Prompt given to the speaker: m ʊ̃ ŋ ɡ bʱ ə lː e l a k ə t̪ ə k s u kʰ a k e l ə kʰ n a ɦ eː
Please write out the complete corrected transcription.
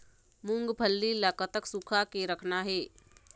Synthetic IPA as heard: m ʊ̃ ŋ ɡ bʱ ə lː i l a k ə t̪ ə k s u kʰ a k e ɾ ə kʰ n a ɦ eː